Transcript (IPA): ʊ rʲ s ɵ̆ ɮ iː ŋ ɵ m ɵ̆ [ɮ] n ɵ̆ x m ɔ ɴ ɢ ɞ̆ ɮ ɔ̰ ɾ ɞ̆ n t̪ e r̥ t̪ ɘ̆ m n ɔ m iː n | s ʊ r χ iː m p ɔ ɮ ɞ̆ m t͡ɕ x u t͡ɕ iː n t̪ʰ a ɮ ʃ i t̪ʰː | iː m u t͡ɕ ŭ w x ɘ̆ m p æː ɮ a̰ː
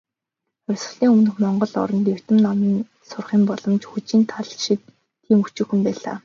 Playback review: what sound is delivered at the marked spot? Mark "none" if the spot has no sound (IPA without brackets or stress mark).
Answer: none